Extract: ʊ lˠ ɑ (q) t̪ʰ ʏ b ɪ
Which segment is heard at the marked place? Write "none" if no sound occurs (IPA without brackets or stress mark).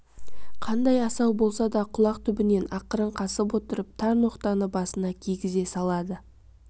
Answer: q